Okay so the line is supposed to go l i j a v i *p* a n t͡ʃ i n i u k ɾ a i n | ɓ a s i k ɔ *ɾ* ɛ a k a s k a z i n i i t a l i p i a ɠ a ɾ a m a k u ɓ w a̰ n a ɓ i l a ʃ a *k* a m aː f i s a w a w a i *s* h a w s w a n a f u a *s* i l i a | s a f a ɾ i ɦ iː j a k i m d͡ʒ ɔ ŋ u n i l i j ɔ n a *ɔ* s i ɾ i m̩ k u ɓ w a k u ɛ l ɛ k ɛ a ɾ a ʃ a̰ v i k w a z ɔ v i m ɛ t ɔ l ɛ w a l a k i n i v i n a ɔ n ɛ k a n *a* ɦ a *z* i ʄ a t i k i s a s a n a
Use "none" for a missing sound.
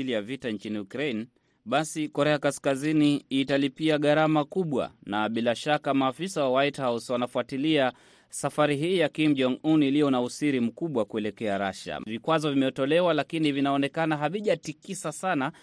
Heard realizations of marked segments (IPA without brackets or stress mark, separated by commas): t, ɾ, k, t, t, u, a, v